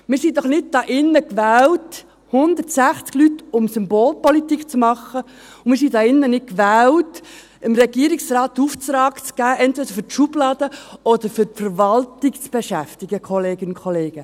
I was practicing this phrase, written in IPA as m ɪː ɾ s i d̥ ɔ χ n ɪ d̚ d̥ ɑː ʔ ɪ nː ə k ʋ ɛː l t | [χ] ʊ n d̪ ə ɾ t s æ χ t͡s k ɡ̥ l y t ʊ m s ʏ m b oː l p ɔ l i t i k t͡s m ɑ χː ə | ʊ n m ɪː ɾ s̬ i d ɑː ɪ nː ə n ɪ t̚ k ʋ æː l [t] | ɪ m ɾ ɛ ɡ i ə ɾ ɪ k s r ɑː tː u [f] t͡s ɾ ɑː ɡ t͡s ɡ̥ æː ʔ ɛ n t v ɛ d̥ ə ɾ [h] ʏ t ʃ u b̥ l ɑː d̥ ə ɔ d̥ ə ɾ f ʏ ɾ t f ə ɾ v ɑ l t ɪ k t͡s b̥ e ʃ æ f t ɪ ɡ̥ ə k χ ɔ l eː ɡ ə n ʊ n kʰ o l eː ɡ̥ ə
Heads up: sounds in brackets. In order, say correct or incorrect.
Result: incorrect: h, correct, correct, incorrect: f

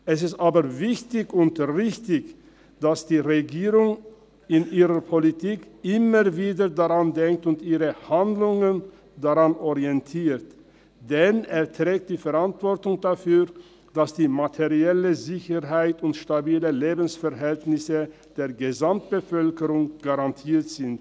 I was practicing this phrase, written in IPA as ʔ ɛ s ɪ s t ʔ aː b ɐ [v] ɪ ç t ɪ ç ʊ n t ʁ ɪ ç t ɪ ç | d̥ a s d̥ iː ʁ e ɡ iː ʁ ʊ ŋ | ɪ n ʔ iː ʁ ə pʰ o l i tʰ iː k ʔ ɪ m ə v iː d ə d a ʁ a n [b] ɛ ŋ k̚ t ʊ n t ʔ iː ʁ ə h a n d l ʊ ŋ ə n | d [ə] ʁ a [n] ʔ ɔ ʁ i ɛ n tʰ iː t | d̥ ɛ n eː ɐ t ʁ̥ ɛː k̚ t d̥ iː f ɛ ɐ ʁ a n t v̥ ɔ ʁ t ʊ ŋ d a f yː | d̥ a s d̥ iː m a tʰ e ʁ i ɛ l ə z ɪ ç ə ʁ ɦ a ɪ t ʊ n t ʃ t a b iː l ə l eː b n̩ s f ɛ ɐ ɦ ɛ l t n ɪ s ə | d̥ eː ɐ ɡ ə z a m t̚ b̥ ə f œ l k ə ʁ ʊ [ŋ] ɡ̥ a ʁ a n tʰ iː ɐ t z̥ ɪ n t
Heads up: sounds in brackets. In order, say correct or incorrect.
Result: correct, incorrect: d, incorrect: a, correct, correct

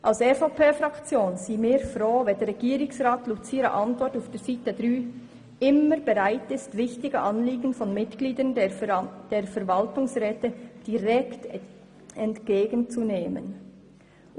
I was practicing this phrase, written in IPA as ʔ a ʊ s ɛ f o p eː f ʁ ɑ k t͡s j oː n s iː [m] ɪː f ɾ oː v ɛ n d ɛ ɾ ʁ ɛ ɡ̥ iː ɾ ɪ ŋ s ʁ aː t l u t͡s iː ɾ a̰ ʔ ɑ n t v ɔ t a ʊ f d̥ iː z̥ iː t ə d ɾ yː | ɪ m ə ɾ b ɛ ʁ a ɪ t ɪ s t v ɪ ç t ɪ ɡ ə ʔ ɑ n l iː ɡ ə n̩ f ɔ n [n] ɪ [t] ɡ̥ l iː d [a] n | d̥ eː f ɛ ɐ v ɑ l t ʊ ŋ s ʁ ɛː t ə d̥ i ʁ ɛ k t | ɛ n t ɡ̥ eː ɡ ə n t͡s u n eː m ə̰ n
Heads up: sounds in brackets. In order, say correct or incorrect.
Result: correct, incorrect: m, correct, incorrect: ə

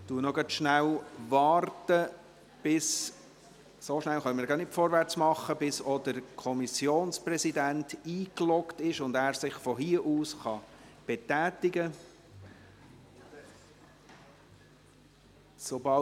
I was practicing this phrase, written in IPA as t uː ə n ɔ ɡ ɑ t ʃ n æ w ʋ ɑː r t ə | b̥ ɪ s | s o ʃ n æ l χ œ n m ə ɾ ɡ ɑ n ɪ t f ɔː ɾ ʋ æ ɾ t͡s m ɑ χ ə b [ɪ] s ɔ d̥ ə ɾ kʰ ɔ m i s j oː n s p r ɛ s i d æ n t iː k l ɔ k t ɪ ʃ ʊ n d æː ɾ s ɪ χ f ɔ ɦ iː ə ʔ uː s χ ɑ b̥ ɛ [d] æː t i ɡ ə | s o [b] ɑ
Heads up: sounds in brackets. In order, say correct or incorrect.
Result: correct, incorrect: t, correct

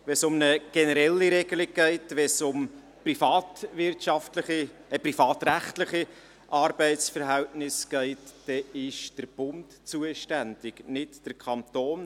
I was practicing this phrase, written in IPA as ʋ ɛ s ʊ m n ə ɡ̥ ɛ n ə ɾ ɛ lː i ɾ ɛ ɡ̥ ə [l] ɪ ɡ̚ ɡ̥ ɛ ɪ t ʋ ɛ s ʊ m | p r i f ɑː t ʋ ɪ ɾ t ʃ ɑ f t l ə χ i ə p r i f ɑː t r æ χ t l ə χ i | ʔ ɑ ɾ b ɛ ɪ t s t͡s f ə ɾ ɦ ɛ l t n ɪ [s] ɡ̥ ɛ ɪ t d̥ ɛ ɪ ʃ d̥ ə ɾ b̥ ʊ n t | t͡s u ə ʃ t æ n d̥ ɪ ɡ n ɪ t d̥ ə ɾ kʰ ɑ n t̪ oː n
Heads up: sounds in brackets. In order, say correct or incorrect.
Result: correct, correct

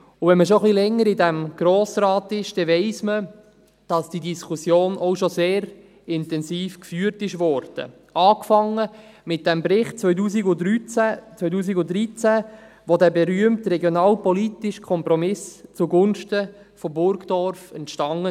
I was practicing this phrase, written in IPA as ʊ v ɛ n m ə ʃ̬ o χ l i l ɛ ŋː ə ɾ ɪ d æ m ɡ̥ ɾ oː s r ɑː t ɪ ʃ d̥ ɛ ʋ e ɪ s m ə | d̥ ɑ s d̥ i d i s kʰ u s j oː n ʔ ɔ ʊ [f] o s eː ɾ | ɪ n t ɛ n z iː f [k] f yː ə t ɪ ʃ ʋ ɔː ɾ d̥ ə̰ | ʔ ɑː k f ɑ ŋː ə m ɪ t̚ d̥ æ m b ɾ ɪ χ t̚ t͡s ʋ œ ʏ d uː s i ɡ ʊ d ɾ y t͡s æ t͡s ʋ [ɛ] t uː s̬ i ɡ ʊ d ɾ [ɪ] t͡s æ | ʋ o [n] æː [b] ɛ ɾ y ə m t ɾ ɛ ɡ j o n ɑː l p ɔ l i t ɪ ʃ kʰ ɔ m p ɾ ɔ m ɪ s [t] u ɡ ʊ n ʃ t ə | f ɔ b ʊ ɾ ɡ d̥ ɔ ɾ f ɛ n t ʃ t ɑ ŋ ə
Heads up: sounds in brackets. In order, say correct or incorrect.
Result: incorrect: ʃ, correct, incorrect: œ, incorrect: i, incorrect: d, correct, incorrect: t͡s

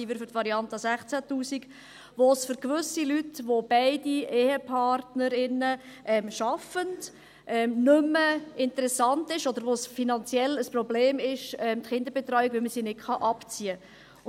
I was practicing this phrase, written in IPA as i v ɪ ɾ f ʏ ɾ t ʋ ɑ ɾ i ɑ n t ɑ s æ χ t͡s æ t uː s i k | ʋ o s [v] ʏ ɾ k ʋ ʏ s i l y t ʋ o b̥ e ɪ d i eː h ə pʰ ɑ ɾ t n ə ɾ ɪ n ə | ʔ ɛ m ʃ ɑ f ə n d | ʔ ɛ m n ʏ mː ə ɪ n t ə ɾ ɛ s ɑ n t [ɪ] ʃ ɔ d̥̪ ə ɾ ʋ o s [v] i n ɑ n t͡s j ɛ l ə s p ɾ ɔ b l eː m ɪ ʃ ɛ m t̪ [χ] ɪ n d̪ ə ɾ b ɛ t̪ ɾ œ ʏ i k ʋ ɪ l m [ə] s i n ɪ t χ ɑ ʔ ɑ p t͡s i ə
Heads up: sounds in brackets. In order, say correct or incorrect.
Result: incorrect: f, correct, incorrect: f, correct, correct

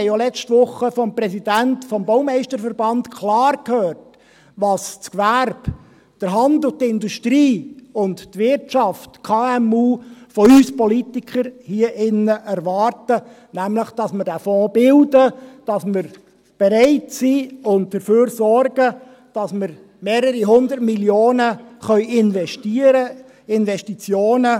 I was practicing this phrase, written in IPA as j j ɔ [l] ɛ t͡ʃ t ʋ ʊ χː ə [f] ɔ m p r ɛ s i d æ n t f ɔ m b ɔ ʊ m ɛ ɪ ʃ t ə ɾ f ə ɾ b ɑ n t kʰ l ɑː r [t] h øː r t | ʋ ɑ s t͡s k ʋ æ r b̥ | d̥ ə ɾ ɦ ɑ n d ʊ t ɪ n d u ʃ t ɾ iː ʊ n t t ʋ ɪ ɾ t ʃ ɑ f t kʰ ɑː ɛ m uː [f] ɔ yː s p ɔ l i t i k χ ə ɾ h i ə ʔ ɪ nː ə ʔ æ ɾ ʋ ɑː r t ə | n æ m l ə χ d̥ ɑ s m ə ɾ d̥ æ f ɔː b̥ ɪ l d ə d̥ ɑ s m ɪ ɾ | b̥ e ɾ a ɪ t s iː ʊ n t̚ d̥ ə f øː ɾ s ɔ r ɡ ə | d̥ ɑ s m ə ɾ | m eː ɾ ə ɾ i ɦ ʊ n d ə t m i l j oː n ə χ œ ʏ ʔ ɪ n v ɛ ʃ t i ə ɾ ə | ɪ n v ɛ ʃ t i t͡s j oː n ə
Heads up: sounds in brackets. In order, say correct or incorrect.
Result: correct, correct, incorrect: k, correct

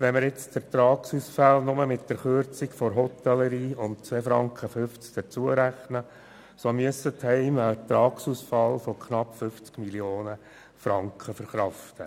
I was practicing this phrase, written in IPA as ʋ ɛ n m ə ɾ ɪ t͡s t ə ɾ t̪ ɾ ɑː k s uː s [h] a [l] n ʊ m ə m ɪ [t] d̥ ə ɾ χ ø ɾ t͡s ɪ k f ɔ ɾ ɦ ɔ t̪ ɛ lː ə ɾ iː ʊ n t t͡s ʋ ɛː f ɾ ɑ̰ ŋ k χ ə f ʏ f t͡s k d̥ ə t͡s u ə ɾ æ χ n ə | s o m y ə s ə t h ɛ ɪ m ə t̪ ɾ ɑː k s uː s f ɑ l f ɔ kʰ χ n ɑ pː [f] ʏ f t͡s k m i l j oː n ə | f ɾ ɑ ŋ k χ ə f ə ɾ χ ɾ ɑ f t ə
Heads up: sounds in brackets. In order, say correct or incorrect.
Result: incorrect: f, correct, correct, correct

